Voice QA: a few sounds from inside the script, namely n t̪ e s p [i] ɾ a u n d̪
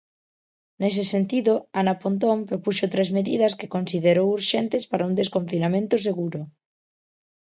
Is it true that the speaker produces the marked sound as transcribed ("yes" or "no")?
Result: no